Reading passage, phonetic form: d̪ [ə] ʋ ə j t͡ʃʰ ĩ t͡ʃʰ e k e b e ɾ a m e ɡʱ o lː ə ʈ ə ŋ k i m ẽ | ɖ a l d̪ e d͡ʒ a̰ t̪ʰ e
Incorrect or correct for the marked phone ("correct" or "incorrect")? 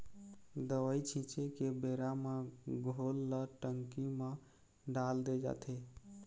correct